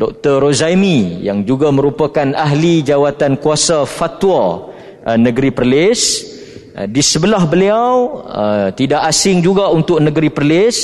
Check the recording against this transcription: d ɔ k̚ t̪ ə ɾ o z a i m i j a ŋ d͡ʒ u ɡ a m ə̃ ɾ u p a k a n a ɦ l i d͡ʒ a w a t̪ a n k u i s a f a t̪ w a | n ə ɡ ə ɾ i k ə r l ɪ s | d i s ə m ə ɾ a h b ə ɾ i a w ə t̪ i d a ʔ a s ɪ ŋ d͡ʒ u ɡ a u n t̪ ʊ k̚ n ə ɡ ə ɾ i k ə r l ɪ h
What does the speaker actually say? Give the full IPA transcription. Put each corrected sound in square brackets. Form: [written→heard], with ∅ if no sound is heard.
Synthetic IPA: d ɔ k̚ t̪ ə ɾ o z a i m i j a ŋ d͡ʒ u ɡ a m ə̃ ɾ u p a k a n a ɦ l i d͡ʒ a w a t̪ a n k u [i→a] s a f a t̪ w a | n ə ɡ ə ɾ i [k→p] ə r l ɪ s | d i s ə [m→b] ə [ɾ→l] a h b ə [ɾ→l] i a w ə t̪ i d a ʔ a s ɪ ŋ d͡ʒ u ɡ a u n t̪ ʊ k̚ n ə ɡ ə ɾ i [k→p] ə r l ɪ [h→s]